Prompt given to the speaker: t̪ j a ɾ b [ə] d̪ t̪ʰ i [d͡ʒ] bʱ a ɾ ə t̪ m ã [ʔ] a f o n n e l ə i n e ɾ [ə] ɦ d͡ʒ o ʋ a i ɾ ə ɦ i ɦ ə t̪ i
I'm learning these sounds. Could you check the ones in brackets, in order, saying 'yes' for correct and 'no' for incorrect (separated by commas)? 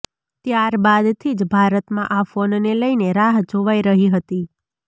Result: no, yes, yes, no